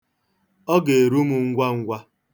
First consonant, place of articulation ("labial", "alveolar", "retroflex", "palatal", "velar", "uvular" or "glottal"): velar